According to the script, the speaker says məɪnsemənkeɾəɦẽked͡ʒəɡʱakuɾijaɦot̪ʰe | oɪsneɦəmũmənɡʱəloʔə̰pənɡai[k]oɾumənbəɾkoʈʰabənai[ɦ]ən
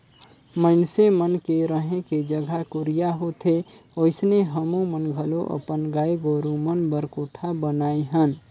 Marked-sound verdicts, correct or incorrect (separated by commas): incorrect, correct